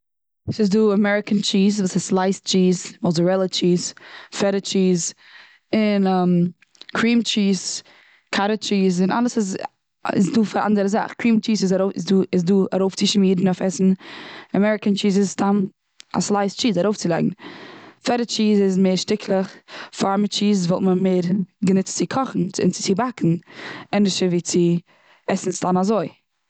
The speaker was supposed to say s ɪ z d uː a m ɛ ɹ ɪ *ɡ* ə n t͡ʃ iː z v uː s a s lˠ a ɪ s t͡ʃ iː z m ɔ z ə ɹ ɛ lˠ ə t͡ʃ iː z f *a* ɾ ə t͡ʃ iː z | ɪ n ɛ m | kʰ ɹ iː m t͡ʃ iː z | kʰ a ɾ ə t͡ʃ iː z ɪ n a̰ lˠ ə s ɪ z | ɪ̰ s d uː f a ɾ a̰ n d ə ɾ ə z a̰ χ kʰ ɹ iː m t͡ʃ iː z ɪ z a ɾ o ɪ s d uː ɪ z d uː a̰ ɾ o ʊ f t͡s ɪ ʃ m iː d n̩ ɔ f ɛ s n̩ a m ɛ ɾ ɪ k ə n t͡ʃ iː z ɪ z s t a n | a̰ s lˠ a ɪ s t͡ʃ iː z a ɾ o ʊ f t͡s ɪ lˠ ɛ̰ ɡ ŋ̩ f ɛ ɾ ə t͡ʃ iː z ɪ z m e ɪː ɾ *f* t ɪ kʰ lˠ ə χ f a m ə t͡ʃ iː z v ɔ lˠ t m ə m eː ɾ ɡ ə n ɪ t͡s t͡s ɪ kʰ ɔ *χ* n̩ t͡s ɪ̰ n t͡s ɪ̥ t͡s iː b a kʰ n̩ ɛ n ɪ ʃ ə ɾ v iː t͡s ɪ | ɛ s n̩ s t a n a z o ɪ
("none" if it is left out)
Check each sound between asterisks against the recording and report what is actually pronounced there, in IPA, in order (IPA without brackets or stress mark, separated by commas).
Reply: k, ɛ, ʃ, χ